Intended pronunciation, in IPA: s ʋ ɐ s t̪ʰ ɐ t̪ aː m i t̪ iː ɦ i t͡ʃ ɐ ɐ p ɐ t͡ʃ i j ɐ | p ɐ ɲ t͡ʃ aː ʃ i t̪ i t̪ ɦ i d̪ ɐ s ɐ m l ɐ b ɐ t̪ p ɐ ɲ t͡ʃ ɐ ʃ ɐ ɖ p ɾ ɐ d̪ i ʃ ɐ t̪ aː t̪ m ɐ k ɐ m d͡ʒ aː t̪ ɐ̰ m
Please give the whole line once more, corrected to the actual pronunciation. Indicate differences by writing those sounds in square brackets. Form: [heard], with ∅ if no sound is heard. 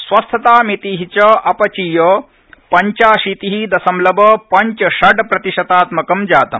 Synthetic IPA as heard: s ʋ ɐ s t̪ʰ ɐ t̪ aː m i t̪ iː ɦ i t͡ʃ ɐ ɐ p ɐ t͡ʃ i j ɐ | p ɐ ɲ t͡ʃ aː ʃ i t̪ i [∅] ɦ i d̪ ɐ s ɐ m l ɐ b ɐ [∅] p ɐ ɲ t͡ʃ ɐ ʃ ɐ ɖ p ɾ ɐ [t̪] i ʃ ɐ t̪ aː t̪ m ɐ k ɐ m d͡ʒ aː t̪ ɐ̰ m